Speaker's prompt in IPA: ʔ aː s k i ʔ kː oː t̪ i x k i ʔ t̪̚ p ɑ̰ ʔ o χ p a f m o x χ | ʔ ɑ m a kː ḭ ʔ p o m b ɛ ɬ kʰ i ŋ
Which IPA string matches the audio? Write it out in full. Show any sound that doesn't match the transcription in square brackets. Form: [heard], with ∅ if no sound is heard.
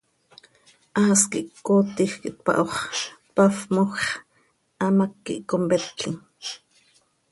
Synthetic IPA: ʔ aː s k i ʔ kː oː t̪ i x k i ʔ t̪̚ p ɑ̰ ʔ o χ p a f m o x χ | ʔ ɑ m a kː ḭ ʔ [k] o m b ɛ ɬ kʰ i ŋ